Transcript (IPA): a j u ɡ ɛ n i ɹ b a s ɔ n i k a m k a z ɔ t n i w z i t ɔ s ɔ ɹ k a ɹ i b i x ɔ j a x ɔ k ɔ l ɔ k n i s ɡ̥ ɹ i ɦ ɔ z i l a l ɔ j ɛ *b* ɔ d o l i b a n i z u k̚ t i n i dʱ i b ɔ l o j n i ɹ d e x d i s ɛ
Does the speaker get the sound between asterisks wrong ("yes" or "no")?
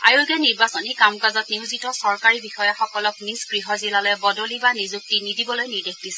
no